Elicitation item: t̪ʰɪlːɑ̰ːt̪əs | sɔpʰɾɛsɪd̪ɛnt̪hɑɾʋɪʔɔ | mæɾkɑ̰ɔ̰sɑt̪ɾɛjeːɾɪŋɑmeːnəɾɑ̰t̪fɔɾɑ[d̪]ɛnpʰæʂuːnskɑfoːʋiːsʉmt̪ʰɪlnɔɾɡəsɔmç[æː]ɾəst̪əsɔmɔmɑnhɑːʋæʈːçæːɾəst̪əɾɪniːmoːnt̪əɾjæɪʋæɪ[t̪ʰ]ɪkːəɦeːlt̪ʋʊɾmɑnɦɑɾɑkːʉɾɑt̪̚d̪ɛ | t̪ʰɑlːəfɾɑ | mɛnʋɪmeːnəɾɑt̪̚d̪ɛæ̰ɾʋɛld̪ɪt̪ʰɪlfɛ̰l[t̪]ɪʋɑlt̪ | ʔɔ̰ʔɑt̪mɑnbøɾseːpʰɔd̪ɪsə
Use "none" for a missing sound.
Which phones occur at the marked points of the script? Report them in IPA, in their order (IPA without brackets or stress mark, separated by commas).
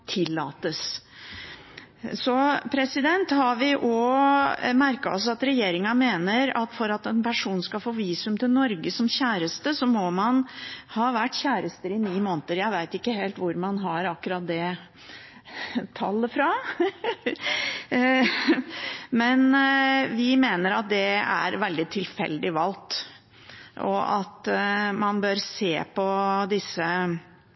t̪, æː, t̪, d̪